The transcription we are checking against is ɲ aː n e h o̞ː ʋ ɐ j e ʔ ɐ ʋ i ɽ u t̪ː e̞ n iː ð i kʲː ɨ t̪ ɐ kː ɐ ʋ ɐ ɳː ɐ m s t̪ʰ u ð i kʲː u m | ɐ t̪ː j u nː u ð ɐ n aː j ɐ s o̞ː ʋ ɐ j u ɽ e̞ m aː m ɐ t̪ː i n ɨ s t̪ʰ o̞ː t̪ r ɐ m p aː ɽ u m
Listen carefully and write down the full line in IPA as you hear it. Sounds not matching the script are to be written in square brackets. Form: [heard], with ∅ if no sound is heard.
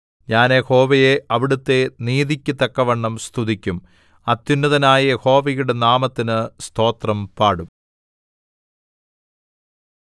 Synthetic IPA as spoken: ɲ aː n e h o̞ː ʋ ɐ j e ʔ ɐ ʋ i ɽ u t̪ː e̞ n iː ð i kʲː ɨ t̪ ɐ kː ɐ ʋ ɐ ɳː ɐ m s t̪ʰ u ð i kʲː u m | ɐ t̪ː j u nː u ð ɐ n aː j ɐ [h] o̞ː ʋ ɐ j u ɽ e̞ [n] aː m ɐ t̪ː i n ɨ s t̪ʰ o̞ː t̪ r ɐ m p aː ɽ u m